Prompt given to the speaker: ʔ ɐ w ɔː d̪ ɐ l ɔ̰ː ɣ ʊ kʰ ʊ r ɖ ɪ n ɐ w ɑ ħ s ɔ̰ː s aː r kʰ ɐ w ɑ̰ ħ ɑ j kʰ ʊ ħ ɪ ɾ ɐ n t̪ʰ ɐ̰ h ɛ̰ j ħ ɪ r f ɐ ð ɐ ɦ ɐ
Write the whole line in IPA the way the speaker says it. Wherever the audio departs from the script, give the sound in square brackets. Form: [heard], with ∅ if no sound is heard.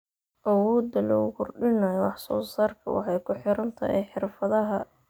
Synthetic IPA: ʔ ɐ w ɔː d̪ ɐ l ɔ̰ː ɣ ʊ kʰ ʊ r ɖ ɪ n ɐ w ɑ ħ s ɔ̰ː s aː r kʰ ɐ w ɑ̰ ħ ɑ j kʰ ʊ ħ ɪ ɾ ɐ n t̪ʰ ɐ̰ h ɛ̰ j ħ ɪ r f ɐ ð ɐ ɦ ɐ